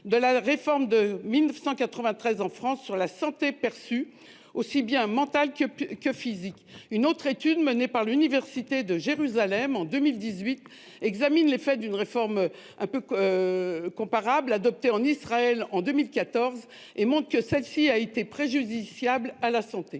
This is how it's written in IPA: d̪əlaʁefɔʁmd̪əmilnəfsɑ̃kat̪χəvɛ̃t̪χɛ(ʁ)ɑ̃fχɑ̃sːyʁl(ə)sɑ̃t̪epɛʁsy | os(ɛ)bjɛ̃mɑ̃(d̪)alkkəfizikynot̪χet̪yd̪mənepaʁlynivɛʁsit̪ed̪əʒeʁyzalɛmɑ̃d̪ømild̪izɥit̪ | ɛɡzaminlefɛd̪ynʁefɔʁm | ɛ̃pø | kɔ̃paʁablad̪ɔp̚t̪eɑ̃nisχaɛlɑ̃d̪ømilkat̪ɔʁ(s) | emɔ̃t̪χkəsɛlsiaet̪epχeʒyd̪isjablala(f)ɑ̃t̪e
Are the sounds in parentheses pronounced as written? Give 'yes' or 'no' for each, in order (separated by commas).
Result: no, no, no, no, no, no